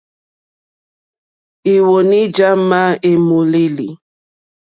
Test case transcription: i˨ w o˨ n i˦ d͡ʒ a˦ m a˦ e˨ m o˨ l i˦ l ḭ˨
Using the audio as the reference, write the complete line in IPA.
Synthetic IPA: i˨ w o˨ n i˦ d͡ʒ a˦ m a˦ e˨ m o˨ l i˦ l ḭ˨